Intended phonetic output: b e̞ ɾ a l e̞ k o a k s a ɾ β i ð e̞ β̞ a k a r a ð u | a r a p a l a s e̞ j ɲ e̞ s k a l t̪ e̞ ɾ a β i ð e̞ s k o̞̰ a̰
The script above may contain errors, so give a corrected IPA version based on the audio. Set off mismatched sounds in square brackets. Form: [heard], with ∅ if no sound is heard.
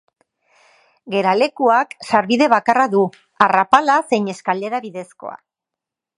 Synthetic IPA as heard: [ɡ] e̞ ɾ a l e̞ k [u] a k s a ɾ β i ð e̞ β̞ a k a r a ð u | a r a p a l a s e̞ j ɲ e̞ s k a l [d̪] e̞ ɾ a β i ð e̞ s k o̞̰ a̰